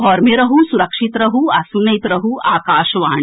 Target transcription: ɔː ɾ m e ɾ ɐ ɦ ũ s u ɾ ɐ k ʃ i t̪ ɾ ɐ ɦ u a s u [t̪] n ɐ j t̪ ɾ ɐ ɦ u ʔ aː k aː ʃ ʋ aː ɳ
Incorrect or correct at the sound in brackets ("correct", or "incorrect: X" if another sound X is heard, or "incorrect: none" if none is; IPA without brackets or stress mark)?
incorrect: none